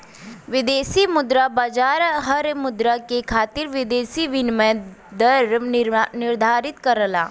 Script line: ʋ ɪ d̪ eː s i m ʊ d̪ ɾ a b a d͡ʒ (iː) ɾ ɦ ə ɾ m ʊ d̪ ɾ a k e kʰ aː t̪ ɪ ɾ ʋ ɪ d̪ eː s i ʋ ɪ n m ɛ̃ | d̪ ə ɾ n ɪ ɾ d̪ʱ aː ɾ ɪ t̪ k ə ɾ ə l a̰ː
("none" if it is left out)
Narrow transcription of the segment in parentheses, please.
aː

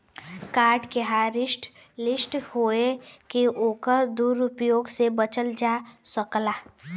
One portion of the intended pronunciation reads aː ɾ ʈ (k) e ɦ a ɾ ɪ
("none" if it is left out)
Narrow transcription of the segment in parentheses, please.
k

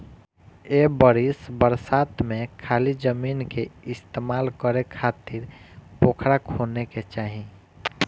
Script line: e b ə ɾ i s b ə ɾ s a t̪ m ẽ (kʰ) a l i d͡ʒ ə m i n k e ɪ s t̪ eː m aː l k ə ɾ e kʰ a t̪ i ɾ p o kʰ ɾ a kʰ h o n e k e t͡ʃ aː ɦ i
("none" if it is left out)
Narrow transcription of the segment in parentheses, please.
kʰ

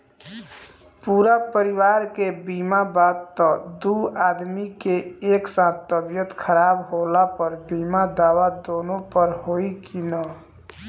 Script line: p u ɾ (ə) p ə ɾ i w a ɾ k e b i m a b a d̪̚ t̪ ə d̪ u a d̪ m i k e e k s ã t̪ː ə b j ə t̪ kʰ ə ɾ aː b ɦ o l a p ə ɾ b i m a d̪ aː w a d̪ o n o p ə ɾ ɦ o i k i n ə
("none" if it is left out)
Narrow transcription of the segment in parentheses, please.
a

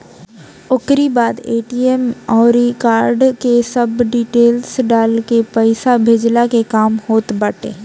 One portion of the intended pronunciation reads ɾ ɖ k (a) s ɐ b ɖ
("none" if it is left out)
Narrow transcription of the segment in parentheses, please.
e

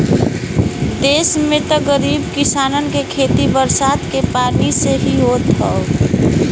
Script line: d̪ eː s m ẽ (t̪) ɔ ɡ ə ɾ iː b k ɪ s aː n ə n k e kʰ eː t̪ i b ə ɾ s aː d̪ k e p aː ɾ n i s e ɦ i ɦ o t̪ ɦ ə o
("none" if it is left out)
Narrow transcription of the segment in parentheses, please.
t̪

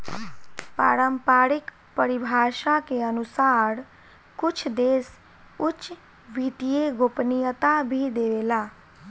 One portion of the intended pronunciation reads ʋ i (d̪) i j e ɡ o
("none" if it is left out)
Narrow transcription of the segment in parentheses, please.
t̪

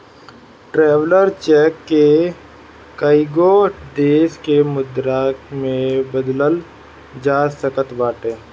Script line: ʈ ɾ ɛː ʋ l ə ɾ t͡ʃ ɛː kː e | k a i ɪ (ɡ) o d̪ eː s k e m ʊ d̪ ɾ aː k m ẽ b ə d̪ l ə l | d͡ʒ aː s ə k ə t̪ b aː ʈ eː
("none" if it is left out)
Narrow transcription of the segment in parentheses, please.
ɡ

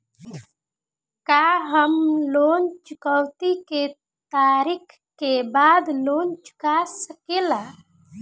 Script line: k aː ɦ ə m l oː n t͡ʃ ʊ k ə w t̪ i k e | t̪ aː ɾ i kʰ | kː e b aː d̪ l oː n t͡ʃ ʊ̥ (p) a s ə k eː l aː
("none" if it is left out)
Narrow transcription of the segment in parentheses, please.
k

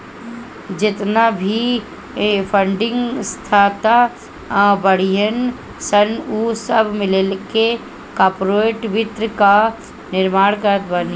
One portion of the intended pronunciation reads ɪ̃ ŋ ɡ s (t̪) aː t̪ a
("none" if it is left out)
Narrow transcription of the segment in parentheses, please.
t̪ʰ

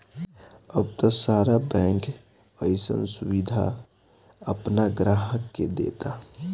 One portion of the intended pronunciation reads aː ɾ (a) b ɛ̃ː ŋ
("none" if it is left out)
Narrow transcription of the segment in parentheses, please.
a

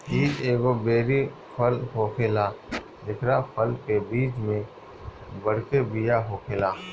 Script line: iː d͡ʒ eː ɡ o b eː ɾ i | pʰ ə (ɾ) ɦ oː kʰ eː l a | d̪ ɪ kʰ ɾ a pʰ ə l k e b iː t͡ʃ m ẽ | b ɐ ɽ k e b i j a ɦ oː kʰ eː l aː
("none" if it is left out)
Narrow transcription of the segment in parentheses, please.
l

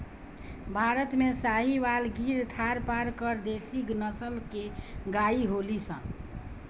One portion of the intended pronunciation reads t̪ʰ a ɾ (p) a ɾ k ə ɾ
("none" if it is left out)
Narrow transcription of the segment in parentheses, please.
p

